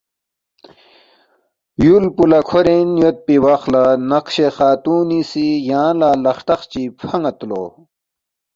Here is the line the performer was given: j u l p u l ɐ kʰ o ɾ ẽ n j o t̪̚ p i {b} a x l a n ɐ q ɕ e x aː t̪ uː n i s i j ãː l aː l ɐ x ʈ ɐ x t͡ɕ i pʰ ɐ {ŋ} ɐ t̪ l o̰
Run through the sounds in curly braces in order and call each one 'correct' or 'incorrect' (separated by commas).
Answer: incorrect, correct